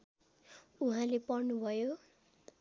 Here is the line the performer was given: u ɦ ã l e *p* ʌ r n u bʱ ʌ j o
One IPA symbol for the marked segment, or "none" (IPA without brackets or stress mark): p